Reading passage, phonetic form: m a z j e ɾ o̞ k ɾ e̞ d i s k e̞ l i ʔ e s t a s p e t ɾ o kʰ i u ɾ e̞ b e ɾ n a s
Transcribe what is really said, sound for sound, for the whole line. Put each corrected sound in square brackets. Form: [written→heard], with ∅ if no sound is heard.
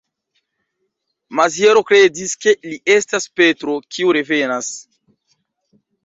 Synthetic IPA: m a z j e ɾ o̞ k ɾ e̞ d i s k e̞ l i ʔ e s t a s p e t ɾ o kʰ i u ɾ e̞ [b→v] e [ɾ→∅] n a s

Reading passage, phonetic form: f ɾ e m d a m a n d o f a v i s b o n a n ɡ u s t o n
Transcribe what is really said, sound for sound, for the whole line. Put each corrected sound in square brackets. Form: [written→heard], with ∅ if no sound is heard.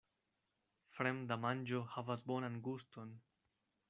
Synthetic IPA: f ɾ e m d a m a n [d→d͡ʒ] o [f→h] a v [i→a] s b o n a n ɡ u s t o n

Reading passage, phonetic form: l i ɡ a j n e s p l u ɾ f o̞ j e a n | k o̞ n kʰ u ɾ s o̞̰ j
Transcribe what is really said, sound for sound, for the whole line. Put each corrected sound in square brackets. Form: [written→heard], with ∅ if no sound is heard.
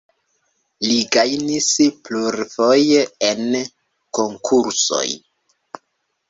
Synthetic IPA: l i ɡ a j n [e→i] s p l u ɾ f o̞ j e [a→e] n | k o̞ [n→ŋ] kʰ u ɾ s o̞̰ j

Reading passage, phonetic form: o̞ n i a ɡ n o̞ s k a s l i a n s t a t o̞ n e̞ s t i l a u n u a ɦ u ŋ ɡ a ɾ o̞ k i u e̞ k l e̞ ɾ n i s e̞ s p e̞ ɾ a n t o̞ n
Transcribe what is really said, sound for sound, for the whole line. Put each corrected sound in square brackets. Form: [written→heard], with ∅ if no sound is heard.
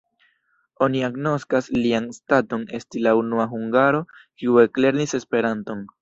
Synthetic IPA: o̞ n i a ɡ n o̞ s k a s l i a n s t a t o̞ n e̞ s t i l a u n u a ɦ u ŋ ɡ a ɾ o̞ k i u e̞ k l e̞ ɾ n i s e̞ s p e̞ ɾ a n t o̞ n

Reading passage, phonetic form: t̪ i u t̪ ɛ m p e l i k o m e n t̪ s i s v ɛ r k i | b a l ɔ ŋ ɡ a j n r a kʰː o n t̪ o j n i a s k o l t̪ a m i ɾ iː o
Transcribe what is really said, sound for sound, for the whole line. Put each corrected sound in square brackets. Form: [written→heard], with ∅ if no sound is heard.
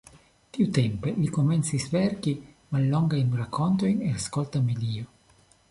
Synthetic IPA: t̪ i u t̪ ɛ m p e l i k o m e n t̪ s i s v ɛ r k i | [b→m] a [l→lː] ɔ ŋ ɡ a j n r a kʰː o n t̪ o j n [i→e] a s k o l t̪ a m i [ɾ→l] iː o

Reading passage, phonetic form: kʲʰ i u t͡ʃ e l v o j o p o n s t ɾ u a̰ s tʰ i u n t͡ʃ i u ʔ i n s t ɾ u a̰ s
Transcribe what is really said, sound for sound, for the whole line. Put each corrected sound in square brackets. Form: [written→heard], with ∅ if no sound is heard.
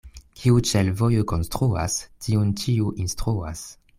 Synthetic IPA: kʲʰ i u t͡ʃ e l v o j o [p→k] o n s t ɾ u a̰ s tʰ i u n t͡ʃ i u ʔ i n s t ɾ u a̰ s

